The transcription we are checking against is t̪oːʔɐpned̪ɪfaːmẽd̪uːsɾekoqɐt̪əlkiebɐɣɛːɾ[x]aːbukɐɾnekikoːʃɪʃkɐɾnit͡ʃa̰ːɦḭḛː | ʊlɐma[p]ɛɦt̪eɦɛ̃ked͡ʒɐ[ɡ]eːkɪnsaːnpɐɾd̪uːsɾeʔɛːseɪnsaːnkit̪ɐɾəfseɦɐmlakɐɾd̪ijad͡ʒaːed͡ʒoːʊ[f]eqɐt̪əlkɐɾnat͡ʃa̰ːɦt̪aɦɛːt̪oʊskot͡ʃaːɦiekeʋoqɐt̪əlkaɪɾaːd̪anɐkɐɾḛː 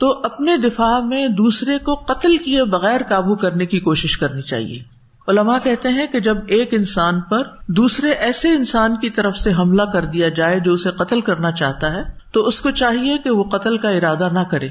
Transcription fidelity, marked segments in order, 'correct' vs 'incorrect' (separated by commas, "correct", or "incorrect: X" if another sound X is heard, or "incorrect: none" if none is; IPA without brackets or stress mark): incorrect: k, incorrect: k, incorrect: b, incorrect: s